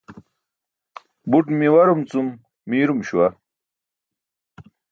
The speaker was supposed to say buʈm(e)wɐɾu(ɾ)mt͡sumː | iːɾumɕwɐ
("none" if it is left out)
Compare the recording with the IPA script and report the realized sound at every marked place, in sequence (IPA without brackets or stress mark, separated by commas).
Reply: i, none